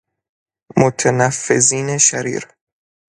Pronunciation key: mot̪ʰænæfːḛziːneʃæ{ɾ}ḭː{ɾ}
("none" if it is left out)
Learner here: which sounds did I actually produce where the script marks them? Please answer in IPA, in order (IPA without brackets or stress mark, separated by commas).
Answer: ɾ, ɾ